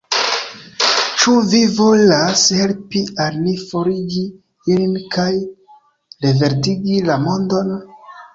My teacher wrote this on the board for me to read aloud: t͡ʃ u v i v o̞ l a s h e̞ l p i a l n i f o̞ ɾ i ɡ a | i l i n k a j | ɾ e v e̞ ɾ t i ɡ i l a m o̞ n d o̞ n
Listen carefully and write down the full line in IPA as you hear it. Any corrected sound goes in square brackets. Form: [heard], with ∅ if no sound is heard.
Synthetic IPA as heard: t͡ʃ u v i v o̞ l a s h e̞ l p i a l n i f o̞ ɾ i ɡ [i] | i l i n k a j | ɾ e v e̞ ɾ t i ɡ i l a m o̞ n d o̞ n

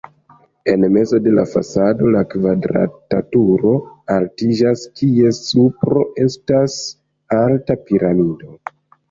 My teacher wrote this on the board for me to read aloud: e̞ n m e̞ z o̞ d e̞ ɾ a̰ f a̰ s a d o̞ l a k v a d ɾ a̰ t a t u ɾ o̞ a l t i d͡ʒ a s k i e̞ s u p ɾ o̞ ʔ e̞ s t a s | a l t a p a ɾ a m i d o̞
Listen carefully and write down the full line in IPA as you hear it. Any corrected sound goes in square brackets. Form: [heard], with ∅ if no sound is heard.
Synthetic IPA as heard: e̞ n m e̞ z o̞ d e̞ [l] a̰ f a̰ s a d o̞ l a k v a d ɾ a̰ t a t u ɾ o̞ a l t i d͡ʒ a s k i e̞ s u p ɾ o̞ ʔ e̞ s t a s | a l t a p [i] ɾ a m i d o̞

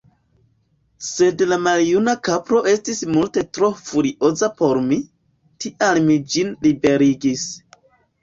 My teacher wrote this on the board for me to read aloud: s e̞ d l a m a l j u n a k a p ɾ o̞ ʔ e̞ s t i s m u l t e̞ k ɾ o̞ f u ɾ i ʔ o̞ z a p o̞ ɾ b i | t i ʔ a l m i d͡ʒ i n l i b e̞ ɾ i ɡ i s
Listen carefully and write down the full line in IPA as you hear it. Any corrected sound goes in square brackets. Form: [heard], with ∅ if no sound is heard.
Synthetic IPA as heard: s e̞ d l a m a l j u n a k a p ɾ o̞ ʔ e̞ s t i s m u l t e̞ [t] ɾ o̞ f u ɾ i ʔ o̞ z a p o̞ ɾ [m] i | t i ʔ a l m i d͡ʒ i n l i b e̞ ɾ i ɡ i s

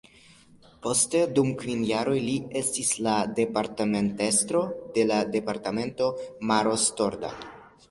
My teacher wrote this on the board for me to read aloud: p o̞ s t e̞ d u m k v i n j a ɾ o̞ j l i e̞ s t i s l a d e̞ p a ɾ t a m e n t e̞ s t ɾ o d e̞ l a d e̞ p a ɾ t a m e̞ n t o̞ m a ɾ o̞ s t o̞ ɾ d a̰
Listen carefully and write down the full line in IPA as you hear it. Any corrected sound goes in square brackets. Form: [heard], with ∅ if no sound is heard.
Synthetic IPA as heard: p o̞ s t e̞ d u m k v i n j a ɾ o̞ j l i e̞ s t i s l a d e̞ p a ɾ t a m e n t e̞ s t ɾ o d e̞ l a d e̞ p a ɾ t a m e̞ n t o̞ m a ɾ o̞ s t o̞ ɾ d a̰

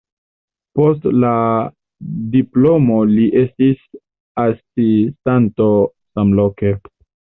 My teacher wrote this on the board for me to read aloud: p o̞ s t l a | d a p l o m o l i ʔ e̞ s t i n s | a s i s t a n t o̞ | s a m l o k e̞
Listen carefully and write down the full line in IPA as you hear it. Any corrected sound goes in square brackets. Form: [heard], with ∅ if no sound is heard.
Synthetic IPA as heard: p o̞ s t l a | d [i] p l o m o l i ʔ e̞ s t i [∅] s | a s i s t a n t o̞ | s a m l o k e̞

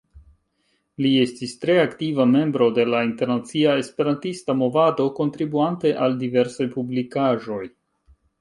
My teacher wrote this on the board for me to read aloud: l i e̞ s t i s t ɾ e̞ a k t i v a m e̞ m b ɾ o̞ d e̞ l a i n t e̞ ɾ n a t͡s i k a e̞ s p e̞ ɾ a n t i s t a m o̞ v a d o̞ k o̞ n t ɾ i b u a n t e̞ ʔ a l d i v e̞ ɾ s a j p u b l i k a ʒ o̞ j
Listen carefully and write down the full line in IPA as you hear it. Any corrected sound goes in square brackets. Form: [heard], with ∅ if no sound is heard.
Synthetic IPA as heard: l i e̞ s t i s t ɾ e̞ a k t i v a m e̞ m b ɾ o̞ d e̞ l a i n t e̞ ɾ n a t͡s i [∅] a e̞ s p e̞ ɾ a n t i s t a m o̞ v a d o̞ k o̞ n t ɾ i b u a n t e̞ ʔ a l d i v e̞ ɾ s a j p u b l i k a ʒ o̞ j

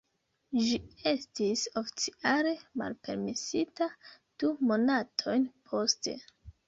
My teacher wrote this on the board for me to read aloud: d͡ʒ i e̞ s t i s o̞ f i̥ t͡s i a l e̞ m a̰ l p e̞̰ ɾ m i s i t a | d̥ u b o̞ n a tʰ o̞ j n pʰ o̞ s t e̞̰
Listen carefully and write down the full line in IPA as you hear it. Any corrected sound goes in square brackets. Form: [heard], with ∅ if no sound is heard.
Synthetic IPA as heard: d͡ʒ i e̞ s t i s o̞ f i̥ t͡s i a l e̞ m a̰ l p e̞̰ ɾ m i s i t a | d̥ u [m] o̞ n a tʰ o̞ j n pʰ o̞ s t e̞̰

